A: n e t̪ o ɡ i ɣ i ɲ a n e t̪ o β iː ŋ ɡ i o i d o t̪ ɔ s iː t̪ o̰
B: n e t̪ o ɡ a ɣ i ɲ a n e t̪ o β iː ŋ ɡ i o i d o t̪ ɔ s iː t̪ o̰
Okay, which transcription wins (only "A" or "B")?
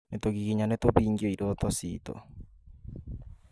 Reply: A